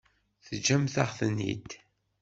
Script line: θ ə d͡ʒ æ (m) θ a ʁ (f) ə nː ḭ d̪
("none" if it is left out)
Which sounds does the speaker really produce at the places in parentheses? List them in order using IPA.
m, θ

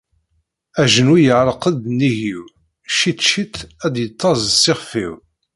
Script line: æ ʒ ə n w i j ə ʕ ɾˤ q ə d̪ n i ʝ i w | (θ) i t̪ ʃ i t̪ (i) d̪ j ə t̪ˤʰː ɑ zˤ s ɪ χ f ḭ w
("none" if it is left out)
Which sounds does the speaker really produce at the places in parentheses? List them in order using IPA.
ʃ, æ

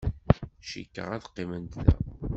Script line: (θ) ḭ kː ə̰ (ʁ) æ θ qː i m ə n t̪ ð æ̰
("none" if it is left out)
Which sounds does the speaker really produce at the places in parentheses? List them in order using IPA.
ʃ, ʁ

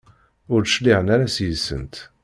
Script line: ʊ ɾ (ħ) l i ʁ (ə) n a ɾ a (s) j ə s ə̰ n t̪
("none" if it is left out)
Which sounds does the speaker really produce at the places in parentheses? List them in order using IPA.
ʃ, ə, s

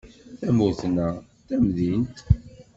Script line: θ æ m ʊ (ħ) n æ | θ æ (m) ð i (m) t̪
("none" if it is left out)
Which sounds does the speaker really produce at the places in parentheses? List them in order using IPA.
θ, m, n

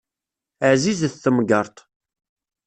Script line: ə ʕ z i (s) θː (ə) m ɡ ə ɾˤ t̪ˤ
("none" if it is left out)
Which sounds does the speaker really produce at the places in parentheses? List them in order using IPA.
z, ə

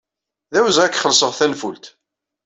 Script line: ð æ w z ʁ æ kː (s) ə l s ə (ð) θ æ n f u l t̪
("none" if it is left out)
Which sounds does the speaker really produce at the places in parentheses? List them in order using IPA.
χ, ʁ

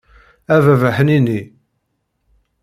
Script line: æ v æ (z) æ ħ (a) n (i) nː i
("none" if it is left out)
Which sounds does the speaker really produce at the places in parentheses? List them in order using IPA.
v, ə, i

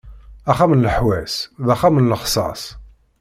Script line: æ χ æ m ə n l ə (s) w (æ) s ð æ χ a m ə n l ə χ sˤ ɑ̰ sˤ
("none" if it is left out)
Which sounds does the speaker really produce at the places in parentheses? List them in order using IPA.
ħ, æ

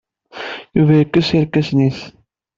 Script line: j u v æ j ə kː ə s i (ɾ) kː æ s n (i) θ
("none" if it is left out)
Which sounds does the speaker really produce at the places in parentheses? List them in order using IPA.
ɾ, i

